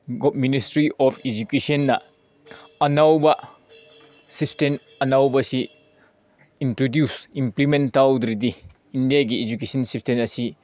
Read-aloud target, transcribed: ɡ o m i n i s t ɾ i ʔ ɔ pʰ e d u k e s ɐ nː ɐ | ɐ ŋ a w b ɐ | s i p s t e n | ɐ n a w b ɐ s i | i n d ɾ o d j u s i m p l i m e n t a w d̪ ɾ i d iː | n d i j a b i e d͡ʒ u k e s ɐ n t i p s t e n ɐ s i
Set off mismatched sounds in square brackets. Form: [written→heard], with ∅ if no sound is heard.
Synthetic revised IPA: ɡ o m i n i s t ɾ i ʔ ɔ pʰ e [d→d͡ʒ] u k e s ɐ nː ɐ | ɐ [ŋ→n] a w b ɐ | s i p s t e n | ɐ n a w b ɐ s i | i n [d→t] ɾ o d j u s i m p l i m e n t a w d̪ ɾ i d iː | n d i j a [b→ɡ] i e d͡ʒ u k e s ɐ n [t→s] i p s t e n ɐ s i